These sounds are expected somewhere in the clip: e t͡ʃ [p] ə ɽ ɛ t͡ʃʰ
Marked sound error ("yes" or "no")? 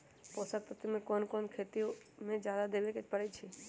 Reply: no